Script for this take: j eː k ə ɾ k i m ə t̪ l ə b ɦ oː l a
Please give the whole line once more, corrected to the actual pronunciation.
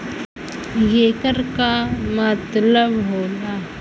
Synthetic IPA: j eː k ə ɾ k a m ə t̪ l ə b ɦ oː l a